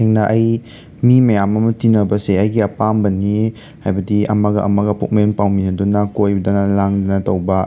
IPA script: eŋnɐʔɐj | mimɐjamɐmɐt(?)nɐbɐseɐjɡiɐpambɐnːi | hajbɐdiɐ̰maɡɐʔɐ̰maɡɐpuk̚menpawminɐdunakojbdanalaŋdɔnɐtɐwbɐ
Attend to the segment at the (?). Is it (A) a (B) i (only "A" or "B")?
B